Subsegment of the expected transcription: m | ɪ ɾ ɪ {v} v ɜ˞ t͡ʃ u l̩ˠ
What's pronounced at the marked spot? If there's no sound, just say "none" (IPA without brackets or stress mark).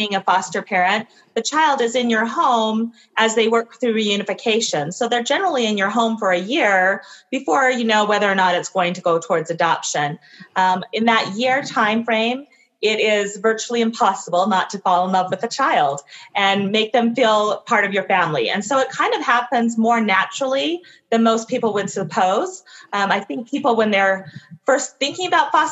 z